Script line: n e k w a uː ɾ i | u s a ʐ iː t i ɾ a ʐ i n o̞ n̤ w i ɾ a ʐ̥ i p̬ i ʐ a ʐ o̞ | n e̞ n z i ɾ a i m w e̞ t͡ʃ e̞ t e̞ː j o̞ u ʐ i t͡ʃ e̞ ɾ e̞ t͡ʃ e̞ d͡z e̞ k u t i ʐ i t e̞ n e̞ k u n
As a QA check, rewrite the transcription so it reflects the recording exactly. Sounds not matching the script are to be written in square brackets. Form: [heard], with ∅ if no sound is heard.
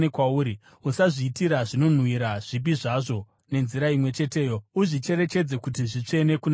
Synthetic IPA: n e k w a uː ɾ i | u s a ʐ iː t i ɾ a ʐ i n o̞ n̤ w i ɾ a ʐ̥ i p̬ i ʐ a ʐ o̞ | n e̞ n z i ɾ a i m w e̞ t͡ʃ e̞ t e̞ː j o̞ u ʐ i t͡ʃ e̞ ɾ e̞ t͡ʃ e̞ d͡z e̞ k u t i ʐ i [t͡ʂ] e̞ n e̞ k u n